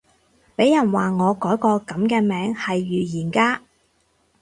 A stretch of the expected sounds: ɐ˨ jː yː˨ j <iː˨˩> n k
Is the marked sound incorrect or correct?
correct